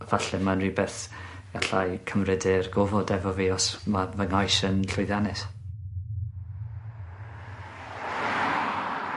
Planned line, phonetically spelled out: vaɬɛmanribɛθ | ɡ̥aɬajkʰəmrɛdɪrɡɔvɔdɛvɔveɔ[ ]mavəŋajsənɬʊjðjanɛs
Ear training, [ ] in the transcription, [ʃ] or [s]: s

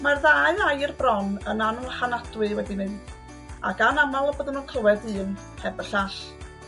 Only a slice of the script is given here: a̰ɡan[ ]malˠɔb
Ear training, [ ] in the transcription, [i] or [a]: a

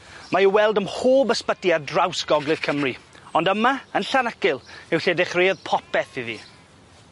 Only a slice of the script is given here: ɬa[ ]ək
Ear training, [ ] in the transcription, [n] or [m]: n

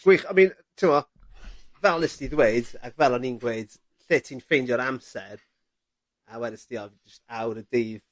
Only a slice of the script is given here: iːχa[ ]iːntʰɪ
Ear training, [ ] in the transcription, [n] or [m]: m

